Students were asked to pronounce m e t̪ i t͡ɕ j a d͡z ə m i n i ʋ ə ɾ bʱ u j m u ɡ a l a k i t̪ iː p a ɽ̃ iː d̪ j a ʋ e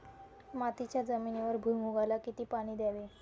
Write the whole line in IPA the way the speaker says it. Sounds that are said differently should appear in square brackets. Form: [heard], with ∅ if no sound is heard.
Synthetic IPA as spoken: m [a] t̪ i t͡ɕ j a d͡z ə m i n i ʋ ə ɾ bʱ u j m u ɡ a l a k i t̪ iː p a ɽ̃ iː d̪ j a ʋ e